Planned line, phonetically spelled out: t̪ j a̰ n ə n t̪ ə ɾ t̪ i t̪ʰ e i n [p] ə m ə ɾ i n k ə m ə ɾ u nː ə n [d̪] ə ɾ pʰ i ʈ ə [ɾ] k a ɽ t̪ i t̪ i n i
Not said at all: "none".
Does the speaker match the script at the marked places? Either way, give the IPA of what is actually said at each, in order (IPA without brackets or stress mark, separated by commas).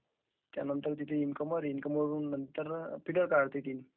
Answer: k, t̪, ɾ